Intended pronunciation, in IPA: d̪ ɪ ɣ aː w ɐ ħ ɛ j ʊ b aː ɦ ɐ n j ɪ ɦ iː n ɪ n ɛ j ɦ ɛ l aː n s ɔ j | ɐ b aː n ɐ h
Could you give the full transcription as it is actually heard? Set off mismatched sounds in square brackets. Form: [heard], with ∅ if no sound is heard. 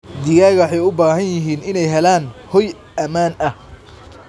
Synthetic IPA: d̪ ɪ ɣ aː [ɣ] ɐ ħ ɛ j ʊ b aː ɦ ɐ n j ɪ ɦ iː n ɪ n ɛ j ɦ ɛ l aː n [h] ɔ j | ɐ [m] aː n ɐ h